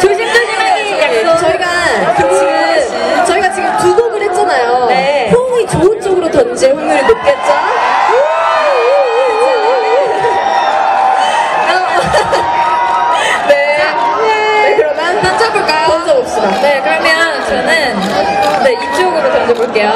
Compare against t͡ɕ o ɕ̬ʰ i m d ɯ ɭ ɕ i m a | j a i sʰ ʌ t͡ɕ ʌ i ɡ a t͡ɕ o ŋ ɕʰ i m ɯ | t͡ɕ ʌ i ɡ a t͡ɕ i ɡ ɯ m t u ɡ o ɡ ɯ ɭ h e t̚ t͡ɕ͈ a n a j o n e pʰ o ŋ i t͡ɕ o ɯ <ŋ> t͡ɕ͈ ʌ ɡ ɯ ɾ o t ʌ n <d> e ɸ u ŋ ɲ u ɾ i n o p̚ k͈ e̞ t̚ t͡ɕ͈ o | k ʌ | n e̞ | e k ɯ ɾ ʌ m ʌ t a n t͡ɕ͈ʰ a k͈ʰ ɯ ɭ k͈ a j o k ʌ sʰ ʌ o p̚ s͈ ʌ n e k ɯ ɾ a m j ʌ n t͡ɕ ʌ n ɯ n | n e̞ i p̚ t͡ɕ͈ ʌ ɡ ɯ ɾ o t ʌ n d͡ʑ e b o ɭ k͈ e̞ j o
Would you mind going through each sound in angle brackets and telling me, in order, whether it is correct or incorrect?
incorrect: n, incorrect: d͡ʑ

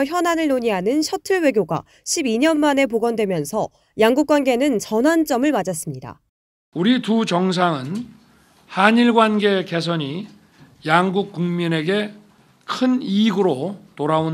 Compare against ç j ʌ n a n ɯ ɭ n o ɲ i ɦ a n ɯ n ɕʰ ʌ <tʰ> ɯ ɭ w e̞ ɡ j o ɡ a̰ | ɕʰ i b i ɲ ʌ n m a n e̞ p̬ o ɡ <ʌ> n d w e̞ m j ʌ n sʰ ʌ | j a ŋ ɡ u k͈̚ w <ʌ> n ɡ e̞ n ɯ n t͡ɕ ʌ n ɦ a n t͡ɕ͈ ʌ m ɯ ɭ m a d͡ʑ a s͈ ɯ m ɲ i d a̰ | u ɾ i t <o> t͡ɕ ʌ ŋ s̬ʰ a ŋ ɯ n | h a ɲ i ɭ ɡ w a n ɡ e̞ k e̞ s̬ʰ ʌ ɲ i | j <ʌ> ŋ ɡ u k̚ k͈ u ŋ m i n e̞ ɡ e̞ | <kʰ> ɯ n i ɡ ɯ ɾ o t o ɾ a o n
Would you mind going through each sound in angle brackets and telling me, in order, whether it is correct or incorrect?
correct, correct, incorrect: a, incorrect: u, incorrect: a, correct

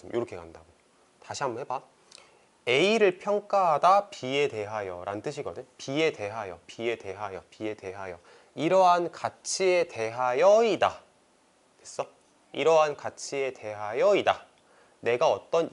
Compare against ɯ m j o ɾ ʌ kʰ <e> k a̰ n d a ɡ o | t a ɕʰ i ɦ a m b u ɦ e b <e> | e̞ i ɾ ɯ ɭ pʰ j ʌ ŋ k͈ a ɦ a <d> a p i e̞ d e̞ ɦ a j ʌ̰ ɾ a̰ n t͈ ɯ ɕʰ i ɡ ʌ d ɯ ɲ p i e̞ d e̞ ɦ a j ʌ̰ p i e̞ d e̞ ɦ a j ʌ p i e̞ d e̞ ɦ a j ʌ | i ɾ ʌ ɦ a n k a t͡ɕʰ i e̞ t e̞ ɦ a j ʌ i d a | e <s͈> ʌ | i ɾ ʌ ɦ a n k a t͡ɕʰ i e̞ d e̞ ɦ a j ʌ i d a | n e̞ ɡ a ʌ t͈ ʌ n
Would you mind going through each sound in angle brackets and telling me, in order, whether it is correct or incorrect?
correct, incorrect: a, correct, correct

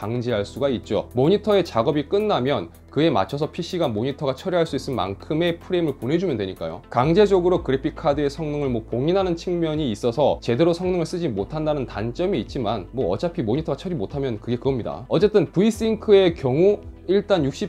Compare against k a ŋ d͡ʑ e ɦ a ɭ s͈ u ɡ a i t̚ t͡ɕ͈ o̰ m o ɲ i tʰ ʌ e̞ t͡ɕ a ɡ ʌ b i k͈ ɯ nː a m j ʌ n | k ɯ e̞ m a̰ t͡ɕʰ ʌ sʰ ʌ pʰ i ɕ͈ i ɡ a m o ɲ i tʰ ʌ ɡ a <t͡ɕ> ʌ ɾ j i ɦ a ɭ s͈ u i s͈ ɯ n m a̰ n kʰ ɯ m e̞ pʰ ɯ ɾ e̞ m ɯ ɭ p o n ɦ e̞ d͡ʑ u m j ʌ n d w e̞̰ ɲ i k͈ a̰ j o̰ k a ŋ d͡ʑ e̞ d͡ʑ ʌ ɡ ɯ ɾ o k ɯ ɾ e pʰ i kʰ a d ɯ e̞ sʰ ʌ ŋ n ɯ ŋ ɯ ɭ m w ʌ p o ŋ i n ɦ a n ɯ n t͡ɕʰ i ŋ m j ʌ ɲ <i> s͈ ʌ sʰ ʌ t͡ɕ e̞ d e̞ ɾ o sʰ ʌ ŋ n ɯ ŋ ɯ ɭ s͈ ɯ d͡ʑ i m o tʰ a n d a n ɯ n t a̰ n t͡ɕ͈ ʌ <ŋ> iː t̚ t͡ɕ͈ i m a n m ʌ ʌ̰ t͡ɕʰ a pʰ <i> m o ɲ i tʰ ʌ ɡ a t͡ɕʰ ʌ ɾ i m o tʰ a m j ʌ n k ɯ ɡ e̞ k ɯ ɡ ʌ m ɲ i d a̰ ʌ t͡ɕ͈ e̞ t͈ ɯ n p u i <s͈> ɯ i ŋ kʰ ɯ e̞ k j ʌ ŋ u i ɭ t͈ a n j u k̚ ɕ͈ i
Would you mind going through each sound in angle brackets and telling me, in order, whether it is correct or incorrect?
incorrect: t͡ɕʰ, incorrect: iː, incorrect: m, correct, correct

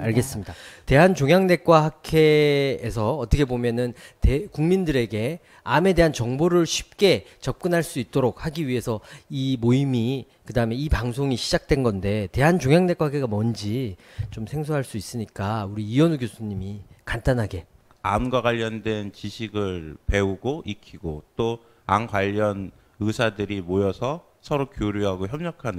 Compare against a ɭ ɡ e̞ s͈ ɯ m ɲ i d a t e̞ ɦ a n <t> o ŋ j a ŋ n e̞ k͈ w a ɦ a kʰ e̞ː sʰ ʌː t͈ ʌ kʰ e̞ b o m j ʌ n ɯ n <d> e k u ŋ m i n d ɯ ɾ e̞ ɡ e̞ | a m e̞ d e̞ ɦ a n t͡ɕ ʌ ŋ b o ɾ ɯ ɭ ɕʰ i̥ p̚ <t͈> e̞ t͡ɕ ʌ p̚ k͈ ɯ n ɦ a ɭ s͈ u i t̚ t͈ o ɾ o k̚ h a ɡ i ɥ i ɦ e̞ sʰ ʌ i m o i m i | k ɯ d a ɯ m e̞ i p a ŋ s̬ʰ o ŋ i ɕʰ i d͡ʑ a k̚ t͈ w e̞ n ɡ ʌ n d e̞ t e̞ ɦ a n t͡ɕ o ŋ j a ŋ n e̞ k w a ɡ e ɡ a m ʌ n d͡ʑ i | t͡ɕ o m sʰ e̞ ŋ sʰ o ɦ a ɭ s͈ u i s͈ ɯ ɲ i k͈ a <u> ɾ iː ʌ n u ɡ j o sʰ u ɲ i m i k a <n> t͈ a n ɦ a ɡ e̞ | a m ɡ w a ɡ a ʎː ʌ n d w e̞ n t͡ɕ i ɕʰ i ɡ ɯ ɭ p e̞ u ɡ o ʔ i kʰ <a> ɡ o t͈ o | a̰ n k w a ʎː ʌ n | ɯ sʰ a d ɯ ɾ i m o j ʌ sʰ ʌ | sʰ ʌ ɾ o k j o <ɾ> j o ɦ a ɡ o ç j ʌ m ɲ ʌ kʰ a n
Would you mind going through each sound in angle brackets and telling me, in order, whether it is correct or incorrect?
incorrect: t͡ɕ, incorrect: t, incorrect: k͈, correct, correct, incorrect: i, correct

